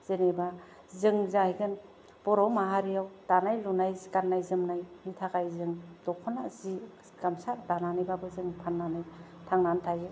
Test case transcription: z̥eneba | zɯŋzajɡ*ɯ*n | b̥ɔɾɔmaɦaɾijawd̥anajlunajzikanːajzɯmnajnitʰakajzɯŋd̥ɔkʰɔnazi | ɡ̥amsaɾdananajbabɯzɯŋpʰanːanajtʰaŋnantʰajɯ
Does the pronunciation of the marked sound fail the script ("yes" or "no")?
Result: no